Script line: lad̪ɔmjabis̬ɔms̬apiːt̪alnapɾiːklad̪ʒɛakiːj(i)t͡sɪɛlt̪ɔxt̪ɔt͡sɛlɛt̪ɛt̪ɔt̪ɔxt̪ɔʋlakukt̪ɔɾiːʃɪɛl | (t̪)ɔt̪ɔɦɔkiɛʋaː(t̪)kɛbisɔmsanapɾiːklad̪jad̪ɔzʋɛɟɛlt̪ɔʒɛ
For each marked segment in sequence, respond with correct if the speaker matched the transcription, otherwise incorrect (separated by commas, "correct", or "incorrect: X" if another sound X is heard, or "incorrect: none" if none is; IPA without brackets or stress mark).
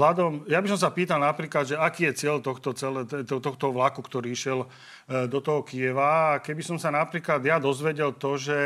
incorrect: ɛ, incorrect: d̪, incorrect: none